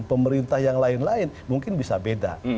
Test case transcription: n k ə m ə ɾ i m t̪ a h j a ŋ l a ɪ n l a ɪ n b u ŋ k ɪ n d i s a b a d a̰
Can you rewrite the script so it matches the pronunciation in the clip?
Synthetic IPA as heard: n p ə m ə ɾ i n t̪ a h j a ŋ l a ɪ n l a ɪ n m u ŋ k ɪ n b i s a b e d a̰